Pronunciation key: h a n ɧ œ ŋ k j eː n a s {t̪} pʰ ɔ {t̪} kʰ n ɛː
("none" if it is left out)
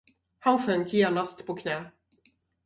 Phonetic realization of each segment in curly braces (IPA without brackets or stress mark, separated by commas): t̪, none